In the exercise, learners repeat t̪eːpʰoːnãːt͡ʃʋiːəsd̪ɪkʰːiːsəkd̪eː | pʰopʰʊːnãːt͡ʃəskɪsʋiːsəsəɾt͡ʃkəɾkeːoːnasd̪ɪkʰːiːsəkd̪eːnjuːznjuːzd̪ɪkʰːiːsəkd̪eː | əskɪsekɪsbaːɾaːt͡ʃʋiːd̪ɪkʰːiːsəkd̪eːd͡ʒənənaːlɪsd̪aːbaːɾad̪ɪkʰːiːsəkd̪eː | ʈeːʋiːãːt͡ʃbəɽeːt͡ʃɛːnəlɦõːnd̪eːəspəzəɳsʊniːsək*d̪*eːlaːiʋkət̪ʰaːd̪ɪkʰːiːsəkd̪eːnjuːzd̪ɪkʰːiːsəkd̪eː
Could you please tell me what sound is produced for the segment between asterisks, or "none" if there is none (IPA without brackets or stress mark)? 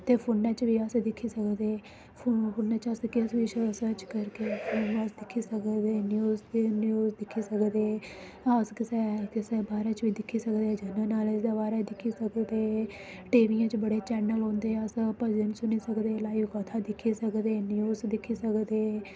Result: d̪